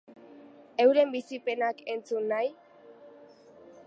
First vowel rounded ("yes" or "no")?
no